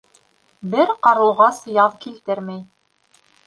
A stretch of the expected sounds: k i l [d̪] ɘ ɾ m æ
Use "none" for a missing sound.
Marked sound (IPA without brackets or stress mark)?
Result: t̪